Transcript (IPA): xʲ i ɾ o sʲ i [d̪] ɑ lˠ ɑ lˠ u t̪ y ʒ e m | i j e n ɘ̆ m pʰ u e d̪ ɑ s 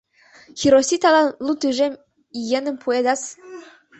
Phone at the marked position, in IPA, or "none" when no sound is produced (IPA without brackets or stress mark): t̪